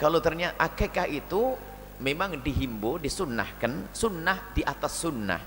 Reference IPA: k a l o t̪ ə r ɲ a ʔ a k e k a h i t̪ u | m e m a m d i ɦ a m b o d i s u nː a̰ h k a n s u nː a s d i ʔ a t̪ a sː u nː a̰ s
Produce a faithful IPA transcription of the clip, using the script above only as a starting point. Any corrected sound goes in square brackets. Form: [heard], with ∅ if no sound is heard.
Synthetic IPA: k a l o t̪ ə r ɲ a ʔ a k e k a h i t̪ u | m e m a [ŋ] d i ɦ [i] m b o d i s u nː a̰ h k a n s u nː a [h] d i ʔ a t̪ a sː u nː a̰ [h]